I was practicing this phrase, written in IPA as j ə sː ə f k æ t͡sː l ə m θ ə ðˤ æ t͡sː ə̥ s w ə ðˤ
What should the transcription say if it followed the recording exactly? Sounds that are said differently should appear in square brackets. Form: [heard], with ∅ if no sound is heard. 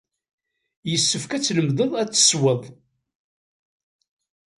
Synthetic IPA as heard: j ə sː ə f k æ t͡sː l ə m [ð] ə ðˤ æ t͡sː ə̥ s w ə ðˤ